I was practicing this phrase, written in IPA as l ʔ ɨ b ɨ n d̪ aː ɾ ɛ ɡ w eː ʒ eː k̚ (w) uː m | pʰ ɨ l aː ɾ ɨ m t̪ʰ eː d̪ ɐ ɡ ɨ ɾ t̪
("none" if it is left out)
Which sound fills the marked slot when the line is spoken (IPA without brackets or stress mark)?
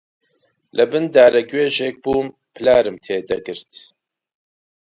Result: b